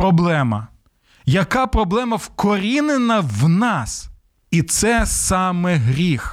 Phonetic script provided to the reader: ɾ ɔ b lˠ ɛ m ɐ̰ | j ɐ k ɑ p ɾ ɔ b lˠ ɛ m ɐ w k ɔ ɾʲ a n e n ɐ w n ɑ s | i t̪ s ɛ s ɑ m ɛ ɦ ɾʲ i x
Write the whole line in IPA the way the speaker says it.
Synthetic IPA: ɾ ɔ b lˠ ɛ m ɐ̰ | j ɐ k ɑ p ɾ ɔ b lˠ ɛ m ɐ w k ɔ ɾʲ i n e n ɐ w n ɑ s | i t̪ s ɛ s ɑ m ɛ ɦ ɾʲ i x